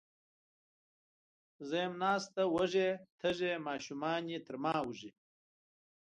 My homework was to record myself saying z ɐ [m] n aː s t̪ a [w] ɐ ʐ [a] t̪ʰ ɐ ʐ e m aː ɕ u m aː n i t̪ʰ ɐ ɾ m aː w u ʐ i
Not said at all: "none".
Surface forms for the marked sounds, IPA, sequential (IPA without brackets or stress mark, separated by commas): m, w, e